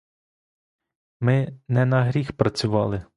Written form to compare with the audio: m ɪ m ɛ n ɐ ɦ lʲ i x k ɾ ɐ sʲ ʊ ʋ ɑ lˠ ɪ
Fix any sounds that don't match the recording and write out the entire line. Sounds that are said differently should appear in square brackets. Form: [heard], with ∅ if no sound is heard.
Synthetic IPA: m ɪ [n] ɛ n ɐ ɦ [ɾʲ] i x [p] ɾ ɐ [t͡sʲ] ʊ ʋ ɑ lˠ ɪ